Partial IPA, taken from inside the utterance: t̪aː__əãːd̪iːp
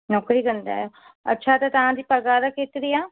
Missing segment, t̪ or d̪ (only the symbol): t̪